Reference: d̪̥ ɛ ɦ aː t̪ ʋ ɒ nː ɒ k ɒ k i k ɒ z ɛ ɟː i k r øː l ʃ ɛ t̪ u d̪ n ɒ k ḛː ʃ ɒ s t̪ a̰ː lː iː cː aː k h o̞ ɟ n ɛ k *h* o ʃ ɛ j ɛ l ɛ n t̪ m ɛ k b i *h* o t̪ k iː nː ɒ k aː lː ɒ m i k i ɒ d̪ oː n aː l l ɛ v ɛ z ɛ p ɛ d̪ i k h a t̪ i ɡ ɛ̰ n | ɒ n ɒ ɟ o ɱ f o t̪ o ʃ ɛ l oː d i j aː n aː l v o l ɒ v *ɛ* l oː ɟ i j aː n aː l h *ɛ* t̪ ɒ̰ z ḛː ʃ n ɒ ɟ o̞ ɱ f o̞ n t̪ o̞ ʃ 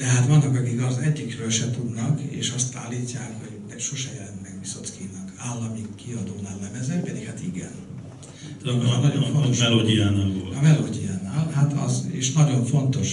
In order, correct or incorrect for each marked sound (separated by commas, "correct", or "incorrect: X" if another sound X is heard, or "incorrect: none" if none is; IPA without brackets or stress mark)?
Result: incorrect: ʃ, incorrect: s, correct, incorrect: a